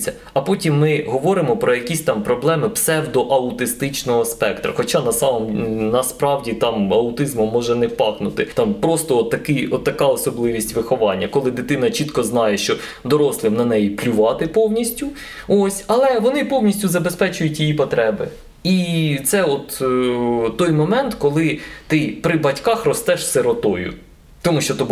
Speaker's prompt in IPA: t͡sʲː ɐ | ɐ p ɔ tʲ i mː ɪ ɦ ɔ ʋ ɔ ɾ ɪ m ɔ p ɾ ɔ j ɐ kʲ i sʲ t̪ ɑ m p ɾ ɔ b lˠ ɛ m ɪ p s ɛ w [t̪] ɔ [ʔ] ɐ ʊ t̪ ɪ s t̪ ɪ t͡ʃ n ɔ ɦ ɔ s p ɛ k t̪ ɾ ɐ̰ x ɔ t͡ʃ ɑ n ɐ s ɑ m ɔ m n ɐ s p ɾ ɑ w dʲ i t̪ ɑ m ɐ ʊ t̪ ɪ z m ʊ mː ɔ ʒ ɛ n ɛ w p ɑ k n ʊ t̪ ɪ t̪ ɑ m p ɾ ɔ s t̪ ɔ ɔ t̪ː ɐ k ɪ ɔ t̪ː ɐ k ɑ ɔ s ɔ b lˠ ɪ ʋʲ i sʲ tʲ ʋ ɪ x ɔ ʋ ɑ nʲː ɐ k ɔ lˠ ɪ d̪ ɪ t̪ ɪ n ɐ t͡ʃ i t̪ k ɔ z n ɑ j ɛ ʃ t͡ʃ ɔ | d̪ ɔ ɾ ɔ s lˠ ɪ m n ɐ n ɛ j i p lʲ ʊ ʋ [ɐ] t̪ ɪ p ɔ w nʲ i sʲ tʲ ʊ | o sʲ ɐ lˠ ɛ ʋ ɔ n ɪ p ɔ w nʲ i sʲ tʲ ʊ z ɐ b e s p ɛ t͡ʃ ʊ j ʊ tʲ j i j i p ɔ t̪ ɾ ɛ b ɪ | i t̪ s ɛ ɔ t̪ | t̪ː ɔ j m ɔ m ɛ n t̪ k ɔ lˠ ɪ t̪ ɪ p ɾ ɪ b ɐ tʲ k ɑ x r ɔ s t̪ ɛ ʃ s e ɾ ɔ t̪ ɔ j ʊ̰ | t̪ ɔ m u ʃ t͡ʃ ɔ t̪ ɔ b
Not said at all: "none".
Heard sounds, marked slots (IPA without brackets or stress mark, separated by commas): d̪, ʔ, ɑ